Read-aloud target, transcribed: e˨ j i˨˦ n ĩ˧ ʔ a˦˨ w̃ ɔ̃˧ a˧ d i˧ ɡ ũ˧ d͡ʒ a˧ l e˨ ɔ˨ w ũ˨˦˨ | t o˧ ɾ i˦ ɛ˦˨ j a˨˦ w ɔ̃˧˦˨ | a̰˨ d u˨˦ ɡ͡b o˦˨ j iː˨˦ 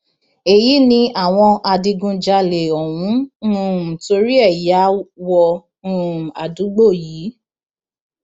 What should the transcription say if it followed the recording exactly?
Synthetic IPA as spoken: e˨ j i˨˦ n ĩ˧ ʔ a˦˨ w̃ ɔ̃˧ a˧ d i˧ ɡ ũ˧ d͡ʒ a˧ l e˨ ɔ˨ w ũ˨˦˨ | t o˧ ɾ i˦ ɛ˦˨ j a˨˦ w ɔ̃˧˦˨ | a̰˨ d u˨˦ ɡ͡b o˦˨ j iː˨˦

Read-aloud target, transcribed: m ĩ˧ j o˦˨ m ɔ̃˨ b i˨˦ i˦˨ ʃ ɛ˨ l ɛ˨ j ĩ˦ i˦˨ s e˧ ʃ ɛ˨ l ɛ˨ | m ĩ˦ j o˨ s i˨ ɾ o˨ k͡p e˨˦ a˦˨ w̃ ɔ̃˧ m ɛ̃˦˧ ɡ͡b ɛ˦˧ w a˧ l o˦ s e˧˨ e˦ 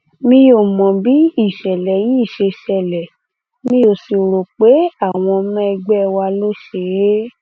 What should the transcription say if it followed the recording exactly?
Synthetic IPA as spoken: m ĩ˧ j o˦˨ m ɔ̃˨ b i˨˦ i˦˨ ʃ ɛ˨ l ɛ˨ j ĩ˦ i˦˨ ʃ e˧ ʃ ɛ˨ l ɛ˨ | m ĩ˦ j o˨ s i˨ ɾ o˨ k͡p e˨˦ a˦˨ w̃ ɔ̃˧ m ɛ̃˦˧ ɡ͡b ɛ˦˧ w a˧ l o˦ ʃ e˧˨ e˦

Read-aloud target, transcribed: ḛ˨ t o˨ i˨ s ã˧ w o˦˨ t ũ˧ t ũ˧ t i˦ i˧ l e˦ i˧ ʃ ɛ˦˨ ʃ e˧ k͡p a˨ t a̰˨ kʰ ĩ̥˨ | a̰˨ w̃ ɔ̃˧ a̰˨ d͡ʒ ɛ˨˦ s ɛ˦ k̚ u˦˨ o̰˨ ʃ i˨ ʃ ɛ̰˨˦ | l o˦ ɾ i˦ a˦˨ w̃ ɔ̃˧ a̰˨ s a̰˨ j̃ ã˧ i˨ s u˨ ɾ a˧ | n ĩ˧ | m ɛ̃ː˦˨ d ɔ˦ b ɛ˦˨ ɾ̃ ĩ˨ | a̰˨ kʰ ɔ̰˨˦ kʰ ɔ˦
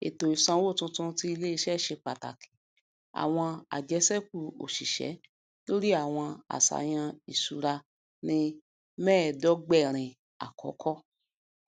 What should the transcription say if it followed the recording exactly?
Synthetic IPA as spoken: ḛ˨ t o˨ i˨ s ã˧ w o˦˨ t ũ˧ t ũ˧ t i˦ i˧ l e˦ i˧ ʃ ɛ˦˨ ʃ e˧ k͡p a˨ t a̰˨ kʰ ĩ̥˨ | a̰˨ w̃ ɔ̃˧ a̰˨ d͡ʒ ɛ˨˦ s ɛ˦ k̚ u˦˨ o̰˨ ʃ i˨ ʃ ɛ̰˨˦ | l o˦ ɾ i˦ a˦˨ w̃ ɔ̃˧ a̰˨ s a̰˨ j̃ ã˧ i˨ s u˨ ɾ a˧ | n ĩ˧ | m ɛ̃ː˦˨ d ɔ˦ ɡ͡b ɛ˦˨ ɾ̃ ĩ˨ | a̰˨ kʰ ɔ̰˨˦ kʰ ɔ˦

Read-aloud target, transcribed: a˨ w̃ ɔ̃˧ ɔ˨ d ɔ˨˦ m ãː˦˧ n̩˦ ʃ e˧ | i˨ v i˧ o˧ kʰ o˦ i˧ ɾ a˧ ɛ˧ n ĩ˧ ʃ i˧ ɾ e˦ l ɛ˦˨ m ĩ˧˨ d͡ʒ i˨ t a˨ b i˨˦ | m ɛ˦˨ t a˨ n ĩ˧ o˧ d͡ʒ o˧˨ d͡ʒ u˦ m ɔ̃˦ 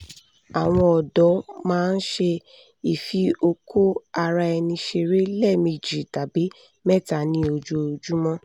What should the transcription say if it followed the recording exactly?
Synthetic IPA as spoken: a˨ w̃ ɔ̃˧ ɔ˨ d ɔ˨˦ m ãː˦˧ n̩˦ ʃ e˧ | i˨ f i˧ o˧ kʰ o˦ a˧ ɾ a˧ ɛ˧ n ĩ˧ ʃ e˧ ɾ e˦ l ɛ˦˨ m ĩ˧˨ d͡ʒ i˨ t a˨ b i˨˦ | m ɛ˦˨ t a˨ n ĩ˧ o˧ d͡ʒ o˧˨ d͡ʒ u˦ m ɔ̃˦

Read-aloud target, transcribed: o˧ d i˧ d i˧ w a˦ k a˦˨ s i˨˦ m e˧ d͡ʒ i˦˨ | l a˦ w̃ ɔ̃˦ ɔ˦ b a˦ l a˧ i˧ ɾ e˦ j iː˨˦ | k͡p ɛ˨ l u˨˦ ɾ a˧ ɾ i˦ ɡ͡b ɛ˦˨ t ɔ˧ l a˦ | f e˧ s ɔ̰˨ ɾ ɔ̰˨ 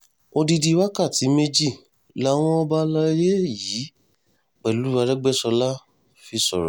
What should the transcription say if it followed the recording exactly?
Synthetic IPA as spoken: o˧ d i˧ d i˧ w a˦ k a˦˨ t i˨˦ m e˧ d͡ʒ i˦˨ | l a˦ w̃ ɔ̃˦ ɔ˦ b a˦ l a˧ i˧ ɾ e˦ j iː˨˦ | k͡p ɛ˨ l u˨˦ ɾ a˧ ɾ ɛ˦ ɡ͡b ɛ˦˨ s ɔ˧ l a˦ | f i˧ s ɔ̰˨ ɾ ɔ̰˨

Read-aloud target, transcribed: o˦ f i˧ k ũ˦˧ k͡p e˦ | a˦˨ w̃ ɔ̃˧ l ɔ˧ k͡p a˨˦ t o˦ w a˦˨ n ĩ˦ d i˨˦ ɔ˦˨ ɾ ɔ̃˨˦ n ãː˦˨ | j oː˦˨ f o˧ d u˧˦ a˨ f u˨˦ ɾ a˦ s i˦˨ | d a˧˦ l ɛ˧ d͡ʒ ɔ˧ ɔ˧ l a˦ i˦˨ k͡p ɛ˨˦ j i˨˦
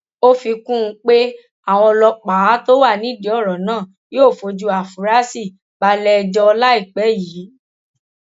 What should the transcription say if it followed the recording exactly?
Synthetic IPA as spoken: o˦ f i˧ k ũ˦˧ k͡p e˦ | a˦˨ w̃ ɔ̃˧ l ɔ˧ k͡p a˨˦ t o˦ w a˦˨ n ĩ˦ d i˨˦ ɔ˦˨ ɾ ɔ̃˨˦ n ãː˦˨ | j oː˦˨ f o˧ d͡ʒ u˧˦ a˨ f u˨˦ ɾ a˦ s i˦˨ | b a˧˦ l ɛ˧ d͡ʒ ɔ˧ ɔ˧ l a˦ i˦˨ k͡p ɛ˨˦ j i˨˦

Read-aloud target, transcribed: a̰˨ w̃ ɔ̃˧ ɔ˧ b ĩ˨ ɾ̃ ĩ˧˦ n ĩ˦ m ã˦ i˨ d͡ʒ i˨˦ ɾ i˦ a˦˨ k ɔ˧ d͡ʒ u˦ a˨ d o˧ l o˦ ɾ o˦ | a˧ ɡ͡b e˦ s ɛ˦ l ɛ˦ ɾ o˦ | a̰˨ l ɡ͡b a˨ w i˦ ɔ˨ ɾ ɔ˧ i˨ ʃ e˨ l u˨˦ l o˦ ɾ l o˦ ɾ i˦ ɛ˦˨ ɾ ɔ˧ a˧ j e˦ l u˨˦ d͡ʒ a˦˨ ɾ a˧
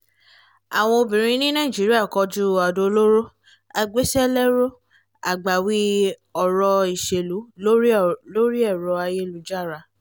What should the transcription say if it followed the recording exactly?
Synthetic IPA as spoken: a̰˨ w̃ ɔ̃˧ o˧ b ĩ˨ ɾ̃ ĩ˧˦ n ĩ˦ n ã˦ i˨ d͡ʒ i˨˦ ɾ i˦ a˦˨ k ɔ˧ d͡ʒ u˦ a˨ d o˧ l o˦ ɾ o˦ | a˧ ɡ͡b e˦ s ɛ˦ l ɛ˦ ɾ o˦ | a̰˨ ɡ͡b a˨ w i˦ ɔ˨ ɾ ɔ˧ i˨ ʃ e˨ l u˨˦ l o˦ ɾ l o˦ ɾ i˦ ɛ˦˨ ɾ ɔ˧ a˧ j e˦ l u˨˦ d͡ʒ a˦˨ ɾ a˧

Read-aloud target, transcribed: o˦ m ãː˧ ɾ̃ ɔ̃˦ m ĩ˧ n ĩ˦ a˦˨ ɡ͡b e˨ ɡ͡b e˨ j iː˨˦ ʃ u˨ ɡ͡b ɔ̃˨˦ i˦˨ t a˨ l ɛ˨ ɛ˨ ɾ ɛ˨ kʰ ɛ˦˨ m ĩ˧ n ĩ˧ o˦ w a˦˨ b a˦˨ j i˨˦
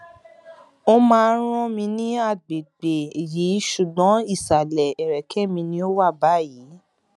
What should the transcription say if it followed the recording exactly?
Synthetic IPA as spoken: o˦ m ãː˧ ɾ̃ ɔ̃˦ m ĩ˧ n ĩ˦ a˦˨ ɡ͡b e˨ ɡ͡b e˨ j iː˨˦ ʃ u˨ ɡ͡b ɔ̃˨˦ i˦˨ s a˨ l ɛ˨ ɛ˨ ɾ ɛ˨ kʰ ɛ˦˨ m ĩ˧ n ĩ˧ o˦ w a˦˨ b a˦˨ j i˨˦

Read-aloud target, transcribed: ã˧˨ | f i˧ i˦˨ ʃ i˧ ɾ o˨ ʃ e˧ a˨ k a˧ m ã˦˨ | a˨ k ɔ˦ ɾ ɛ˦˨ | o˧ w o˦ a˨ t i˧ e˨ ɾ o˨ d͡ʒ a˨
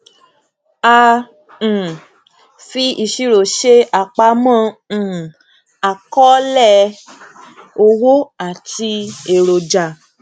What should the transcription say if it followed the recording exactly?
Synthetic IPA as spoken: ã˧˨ | f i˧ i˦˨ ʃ i˧ ɾ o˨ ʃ e˧ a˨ k͡p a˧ m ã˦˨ | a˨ k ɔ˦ l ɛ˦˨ | o˧ w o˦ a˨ t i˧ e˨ ɾ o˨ d͡ʒ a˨

